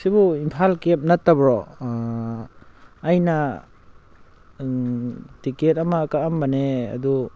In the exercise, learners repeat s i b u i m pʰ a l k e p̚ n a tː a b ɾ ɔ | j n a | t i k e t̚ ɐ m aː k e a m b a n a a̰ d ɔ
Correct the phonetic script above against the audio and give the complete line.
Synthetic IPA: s i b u i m pʰ a l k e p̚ n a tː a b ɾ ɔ | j n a | t i k e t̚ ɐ m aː k a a m b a n e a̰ d u